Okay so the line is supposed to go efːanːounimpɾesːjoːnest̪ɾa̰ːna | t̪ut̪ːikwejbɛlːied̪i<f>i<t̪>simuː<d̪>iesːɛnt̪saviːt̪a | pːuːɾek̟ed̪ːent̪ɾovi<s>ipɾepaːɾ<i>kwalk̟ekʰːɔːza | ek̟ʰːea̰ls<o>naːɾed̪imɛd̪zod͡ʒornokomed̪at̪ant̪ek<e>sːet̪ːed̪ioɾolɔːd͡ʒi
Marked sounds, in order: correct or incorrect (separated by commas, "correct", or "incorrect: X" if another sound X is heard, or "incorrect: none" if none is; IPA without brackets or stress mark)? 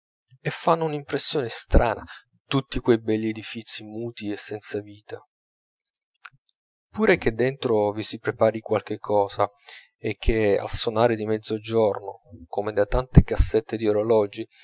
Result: correct, correct, incorrect: t̪, correct, correct, correct, incorrect: a